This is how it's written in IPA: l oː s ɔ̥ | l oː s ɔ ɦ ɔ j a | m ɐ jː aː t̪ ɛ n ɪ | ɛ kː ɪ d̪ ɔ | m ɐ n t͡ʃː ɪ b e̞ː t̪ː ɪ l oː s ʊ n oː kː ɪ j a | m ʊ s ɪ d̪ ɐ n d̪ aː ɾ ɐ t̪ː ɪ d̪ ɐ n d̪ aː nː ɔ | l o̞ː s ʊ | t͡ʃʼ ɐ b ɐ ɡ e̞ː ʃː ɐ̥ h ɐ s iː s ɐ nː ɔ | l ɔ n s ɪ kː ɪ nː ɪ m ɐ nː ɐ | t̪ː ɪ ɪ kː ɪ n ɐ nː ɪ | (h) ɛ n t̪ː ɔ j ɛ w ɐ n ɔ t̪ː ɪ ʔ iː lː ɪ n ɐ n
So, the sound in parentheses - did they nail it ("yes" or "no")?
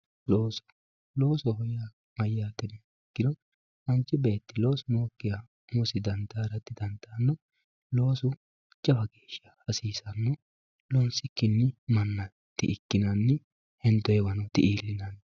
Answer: yes